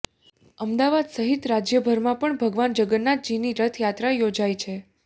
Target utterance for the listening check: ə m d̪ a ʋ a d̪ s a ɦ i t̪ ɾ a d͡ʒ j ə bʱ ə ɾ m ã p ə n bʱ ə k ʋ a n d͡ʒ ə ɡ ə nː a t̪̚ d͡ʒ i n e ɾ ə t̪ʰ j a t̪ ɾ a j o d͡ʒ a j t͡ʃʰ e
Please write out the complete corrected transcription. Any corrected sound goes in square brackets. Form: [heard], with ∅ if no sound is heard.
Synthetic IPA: ə m d̪ a ʋ a d̪ s [ə] ɦ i t̪ ɾ a d͡ʒ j ə bʱ ə ɾ m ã p ə [ɳ] bʱ ə [ɡ] ʋ a n d͡ʒ ə ɡ ə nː a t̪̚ d͡ʒ i n [i] ɾ ə t̪ʰ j a t̪ ɾ a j o d͡ʒ a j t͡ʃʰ e